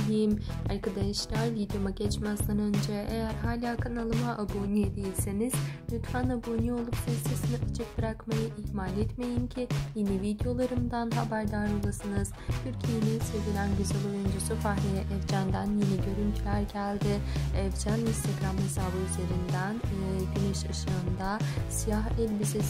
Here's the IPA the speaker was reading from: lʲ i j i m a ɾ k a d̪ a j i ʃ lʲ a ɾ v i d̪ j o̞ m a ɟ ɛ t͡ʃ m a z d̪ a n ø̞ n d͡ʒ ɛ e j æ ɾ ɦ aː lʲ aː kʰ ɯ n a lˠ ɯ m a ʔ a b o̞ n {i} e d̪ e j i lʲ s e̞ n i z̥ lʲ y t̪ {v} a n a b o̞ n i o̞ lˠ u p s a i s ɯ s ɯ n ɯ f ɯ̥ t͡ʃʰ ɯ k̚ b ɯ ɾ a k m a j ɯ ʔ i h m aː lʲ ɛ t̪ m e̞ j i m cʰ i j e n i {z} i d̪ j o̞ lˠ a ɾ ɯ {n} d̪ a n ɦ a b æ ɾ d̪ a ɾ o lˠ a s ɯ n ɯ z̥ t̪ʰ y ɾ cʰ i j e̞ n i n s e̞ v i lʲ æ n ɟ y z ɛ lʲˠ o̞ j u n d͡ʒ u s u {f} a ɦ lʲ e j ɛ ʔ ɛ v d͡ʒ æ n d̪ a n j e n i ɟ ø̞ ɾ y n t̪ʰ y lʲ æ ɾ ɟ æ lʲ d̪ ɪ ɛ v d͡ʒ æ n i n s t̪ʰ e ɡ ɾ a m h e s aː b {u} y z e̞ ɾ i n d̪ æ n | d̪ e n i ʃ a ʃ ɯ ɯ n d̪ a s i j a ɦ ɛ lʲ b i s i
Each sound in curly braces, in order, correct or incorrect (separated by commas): correct, incorrect, incorrect, incorrect, correct, incorrect